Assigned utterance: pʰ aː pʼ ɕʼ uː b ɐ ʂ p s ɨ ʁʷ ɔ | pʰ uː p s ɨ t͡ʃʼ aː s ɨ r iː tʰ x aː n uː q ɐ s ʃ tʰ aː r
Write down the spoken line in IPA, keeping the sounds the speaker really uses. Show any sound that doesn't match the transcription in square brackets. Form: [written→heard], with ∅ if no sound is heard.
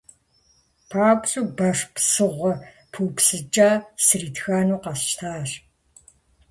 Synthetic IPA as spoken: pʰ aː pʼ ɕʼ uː b ɐ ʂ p s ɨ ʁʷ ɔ | pʰ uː p s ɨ t͡ʃʼ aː s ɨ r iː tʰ x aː n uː q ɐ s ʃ tʰ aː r